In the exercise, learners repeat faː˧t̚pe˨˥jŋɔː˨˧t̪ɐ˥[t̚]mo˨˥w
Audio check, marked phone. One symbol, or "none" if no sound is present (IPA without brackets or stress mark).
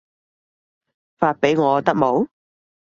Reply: k̚